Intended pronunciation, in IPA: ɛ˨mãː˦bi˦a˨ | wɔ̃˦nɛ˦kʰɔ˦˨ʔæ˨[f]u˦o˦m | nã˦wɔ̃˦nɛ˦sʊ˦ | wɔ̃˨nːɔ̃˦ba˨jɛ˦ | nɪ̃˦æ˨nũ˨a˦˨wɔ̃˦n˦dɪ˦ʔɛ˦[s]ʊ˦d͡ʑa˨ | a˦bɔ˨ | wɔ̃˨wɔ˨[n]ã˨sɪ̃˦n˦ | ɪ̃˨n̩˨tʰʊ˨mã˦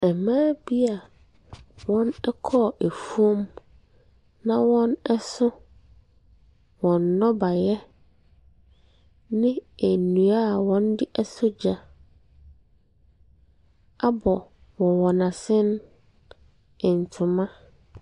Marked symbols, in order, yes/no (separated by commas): yes, yes, yes